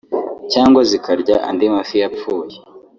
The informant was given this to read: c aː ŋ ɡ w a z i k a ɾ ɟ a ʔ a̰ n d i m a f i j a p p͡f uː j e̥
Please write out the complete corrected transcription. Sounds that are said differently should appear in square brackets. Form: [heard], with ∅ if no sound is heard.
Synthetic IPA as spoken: c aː ŋ ɡ w a z i k a ɾ ɟ a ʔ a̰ n d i m a f i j a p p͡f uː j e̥